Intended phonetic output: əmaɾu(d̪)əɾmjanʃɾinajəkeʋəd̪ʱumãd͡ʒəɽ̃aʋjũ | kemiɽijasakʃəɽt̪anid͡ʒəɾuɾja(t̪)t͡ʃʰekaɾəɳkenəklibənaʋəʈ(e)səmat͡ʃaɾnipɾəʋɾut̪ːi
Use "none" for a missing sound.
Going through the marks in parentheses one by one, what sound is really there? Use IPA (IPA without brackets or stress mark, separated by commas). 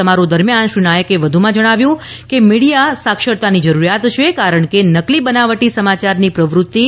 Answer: d̪, t̪, i